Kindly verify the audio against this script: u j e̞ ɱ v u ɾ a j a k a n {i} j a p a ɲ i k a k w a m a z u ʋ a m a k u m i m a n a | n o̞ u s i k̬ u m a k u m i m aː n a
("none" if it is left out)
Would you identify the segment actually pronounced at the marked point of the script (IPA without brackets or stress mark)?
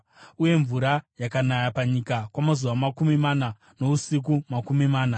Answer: a